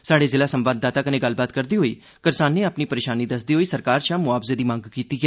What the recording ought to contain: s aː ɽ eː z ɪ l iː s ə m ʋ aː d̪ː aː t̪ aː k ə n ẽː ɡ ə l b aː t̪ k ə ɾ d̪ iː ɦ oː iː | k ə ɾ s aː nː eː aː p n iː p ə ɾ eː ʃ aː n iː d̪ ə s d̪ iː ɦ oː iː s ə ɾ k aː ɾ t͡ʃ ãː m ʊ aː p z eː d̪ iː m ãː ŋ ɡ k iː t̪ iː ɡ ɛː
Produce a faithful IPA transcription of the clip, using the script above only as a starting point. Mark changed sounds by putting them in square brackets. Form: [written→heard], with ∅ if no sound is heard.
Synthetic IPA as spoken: s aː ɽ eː z ɪ l [iː→aː] s ə m ʋ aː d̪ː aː t̪ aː k ə n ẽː ɡ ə l b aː t̪ k ə ɾ d̪ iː ɦ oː iː | k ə ɾ s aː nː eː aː p n iː p ə ɾ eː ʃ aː n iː d̪ ə s d̪ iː ɦ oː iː s ə ɾ k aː ɾ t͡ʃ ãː m ʊ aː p z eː d̪ iː m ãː ŋ ɡ k iː t̪ iː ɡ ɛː